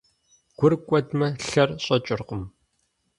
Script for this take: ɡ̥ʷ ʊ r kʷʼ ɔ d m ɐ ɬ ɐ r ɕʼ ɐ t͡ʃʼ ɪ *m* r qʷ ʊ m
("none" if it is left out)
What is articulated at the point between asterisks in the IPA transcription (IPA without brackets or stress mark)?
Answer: none